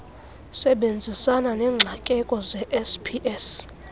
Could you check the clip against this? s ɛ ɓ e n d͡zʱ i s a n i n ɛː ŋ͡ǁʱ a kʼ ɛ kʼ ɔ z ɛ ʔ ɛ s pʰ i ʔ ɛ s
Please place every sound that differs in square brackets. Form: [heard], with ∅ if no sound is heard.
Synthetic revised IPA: s ɛ ɓ e n d͡zʱ i s a n [a] n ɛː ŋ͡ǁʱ a kʼ ɛ kʼ ɔ z ɛ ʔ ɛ s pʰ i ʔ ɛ s